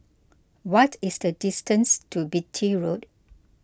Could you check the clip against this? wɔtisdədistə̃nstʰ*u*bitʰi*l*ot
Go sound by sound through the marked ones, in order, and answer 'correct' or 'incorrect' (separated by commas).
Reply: correct, incorrect